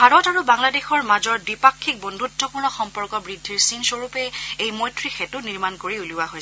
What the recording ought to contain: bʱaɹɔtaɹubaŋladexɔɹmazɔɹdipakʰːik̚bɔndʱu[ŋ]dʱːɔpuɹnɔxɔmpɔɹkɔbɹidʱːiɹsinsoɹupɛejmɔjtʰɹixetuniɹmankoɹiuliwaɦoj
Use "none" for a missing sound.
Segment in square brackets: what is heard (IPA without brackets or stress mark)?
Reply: none